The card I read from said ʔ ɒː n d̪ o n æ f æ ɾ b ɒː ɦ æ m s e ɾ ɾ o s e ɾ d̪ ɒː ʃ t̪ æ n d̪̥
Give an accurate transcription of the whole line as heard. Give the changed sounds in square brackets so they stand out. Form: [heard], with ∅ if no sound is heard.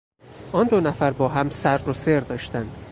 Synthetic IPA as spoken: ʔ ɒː n d̪ o n æ f æ ɾ b ɒː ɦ æ m s [æ] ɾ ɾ o s e ɾ d̪ ɒː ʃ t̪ æ n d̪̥